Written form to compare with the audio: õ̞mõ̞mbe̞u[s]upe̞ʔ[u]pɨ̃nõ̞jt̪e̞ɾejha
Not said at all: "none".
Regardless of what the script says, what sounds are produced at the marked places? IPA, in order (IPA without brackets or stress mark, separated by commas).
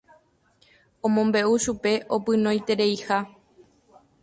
ʃ, o